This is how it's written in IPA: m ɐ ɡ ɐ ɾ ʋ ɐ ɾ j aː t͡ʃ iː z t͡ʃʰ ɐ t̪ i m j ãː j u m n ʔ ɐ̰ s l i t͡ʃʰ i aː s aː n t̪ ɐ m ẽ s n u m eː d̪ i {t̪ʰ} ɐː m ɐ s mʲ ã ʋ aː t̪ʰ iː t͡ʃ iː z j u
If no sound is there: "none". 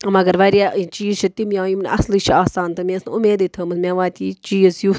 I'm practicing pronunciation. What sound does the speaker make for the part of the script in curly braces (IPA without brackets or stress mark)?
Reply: t̪ʰ